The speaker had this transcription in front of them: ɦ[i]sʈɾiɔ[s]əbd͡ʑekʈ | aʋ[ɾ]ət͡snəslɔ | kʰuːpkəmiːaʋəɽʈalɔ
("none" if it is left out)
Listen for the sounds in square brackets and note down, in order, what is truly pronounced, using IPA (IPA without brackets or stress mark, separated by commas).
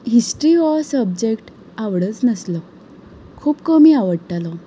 i, s, ɽ